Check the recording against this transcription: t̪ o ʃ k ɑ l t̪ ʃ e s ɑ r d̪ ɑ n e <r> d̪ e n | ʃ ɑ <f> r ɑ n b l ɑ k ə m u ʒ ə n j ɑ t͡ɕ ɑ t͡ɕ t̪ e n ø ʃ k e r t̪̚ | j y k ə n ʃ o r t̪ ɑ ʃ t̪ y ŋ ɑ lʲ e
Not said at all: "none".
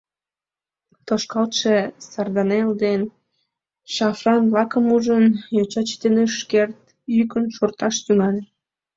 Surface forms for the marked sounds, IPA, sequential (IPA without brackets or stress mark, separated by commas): l, f